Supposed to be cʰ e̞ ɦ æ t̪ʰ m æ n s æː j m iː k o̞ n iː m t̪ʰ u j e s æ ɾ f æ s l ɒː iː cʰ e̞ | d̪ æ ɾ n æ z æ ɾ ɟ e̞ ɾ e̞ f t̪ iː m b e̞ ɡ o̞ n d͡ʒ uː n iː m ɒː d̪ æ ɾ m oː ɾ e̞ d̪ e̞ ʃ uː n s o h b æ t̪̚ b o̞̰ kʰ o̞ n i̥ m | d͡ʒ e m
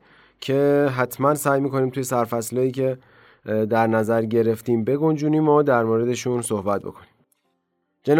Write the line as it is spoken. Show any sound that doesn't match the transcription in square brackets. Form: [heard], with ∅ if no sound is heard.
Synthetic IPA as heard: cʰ e̞ ɦ æ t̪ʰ m æ n s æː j m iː k o̞ n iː m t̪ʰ u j e s æ ɾ f æ s l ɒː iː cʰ e̞ | d̪ æ ɾ n æ z æ ɾ ɟ e̞ ɾ e̞ f t̪ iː m b e̞ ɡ o̞ n d͡ʒ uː n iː m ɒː d̪ æ ɾ m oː ɾ e̞ d̪ e̞ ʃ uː n s o h b æ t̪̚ b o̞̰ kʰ o̞ n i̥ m | d͡ʒ e [n]